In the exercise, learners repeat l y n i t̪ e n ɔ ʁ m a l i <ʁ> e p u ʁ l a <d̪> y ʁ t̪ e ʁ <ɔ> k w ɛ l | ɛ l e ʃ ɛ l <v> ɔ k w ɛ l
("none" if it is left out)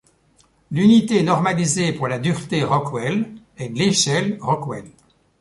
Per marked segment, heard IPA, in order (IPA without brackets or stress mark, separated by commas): z, d̪, ɔ, ʁ